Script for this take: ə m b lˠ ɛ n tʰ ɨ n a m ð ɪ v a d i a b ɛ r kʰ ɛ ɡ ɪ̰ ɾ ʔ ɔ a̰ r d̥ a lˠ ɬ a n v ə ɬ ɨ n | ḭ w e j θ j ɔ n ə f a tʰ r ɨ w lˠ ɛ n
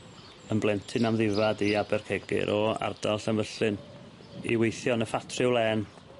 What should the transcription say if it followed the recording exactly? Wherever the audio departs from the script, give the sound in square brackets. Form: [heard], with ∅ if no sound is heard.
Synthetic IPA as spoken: ə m b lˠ ɛ n tʰ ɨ n a m ð ɪ v a d i a b ɛ r kʰ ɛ ɡ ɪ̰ ɾ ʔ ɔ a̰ r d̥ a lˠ ɬ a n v ə ɬ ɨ n | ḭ w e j θ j ɔ n ə f a tʰ r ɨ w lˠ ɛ n